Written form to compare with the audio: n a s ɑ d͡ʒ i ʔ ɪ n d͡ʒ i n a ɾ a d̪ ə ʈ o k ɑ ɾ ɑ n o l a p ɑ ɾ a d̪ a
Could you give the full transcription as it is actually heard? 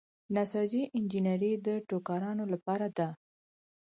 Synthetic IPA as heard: n a s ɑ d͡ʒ i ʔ ɪ n d͡ʒ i n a ɾ i d̪ ə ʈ o k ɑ ɾ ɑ n o l a p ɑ ɾ a d̪ a

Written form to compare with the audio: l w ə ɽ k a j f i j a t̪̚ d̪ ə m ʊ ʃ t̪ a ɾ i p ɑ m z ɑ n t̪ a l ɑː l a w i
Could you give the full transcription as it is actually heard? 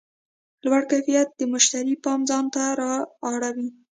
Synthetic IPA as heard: l w a ɽ k a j f i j a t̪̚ d̪ ə m ʊ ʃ t̪ a ɾ i p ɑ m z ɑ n t̪ a ɾ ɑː ɽ a w i

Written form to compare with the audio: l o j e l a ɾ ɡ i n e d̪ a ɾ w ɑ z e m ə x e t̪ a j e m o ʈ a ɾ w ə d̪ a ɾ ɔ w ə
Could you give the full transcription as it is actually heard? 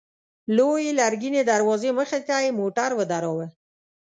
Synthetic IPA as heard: l o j e l a ɾ ɡ i n e d̪ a ɾ w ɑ z e m ə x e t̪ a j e m o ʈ a ɾ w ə d̪ a ɾ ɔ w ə

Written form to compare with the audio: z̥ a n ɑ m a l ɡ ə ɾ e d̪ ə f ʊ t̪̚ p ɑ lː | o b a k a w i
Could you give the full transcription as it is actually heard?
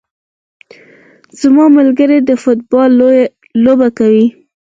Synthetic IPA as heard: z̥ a m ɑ m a l ɡ ə ɾ e d̪ ə f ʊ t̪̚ b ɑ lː | o b a k a w i

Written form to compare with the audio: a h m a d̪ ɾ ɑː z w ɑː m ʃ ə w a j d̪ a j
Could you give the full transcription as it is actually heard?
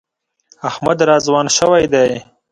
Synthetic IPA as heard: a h m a d̪ ɾ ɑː z w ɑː n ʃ ə w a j d̪ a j

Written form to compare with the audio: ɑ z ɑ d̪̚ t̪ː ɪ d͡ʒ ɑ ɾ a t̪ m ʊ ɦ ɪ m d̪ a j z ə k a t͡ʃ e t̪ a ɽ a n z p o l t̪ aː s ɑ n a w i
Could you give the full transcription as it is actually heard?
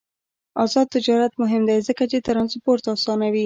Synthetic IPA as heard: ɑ z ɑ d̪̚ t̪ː ɪ d͡ʒ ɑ ɾ a t̪ m ʊ ɦ ɪ m d̪ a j z ə k a t͡ʃ e t̪ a ɾ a n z p o ɾ t̪ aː s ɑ n a w i

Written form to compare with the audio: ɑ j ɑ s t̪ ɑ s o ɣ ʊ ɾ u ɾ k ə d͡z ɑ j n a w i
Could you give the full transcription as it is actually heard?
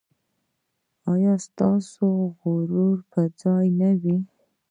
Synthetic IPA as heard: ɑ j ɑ s t̪ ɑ s o ɣ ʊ ɾ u ɾ p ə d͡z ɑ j n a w i

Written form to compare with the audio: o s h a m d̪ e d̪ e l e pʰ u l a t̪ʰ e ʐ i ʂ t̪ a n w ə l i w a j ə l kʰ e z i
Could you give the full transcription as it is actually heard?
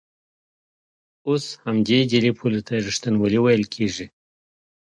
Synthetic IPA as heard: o s h a m d̪ e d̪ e l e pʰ u l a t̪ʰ a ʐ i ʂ t̪ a n w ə l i w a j ə l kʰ e ʐ i

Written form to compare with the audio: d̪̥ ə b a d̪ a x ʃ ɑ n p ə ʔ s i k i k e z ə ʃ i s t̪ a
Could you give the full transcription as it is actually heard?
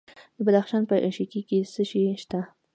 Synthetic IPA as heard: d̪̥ ə b a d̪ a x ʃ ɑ n p ə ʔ ʃ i k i k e s ə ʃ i ʃ t̪ a

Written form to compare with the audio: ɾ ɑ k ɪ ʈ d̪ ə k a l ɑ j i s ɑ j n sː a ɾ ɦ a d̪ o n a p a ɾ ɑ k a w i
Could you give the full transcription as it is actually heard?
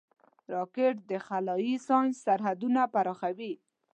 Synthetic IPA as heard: ɾ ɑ k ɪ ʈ d̪ ə x a l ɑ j i s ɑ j n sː a ɾ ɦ a d̪ u n a p a ɾ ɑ x a w i

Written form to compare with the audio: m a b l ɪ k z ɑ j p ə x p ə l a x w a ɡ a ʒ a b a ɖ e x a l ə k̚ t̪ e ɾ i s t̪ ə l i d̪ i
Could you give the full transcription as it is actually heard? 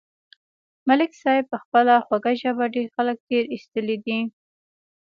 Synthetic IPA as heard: m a l ɪ k s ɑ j p ə x p ə l a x w a ɡ a ʒ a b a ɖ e x a l ə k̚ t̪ e ɾ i s t̪ ə l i d̪ i

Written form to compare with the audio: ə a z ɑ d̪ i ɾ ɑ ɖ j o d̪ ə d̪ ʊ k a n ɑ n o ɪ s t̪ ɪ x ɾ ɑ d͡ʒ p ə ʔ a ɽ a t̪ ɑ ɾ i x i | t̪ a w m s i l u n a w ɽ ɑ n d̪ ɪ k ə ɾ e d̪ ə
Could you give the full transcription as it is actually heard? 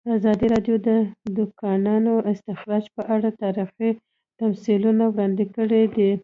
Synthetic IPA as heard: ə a z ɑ d̪ i ɾ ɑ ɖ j o d̪ ə d̪ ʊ k ɑ n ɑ n o ɪ s t̪ ɪ x ɾ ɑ d͡ʒ p ə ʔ a ɽ a t̪ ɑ ɾ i x i | t̪ a m s i l u n a w ɽ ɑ n d̪ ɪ k ə ɽ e d̪ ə

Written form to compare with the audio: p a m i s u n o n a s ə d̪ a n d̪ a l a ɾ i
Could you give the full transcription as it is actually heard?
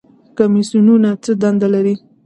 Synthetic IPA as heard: k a m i s u n u n a t͡s ə d̪ a n d̪ a l a ɾ i

